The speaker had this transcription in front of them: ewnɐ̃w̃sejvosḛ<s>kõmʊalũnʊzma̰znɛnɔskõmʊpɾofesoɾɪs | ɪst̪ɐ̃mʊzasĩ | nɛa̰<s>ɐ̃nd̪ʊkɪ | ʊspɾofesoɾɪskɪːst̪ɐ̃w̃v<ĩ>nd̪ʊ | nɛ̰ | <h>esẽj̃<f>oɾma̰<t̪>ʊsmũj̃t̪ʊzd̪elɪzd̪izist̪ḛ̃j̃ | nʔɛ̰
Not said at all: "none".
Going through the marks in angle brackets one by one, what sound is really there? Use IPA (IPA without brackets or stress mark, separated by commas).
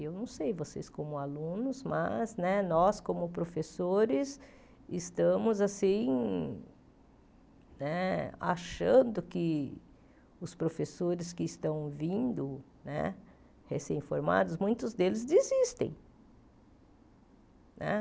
s, ʃ, ĩ, h, f, d̪